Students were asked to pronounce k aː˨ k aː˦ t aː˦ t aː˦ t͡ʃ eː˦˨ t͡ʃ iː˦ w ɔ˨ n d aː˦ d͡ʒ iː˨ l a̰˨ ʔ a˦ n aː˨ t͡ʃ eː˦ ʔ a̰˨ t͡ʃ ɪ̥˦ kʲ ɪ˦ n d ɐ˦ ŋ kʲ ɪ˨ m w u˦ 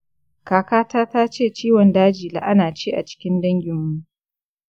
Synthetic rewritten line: k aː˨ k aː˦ t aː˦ t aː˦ t͡ʃ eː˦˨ t͡ʃ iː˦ w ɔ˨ n d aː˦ d͡ʒ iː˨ l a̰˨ ʔ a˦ n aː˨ t͡ʃ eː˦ ʔ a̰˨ t͡ʃ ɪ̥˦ kʲ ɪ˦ n d ɐ˦ ŋ ɡʲ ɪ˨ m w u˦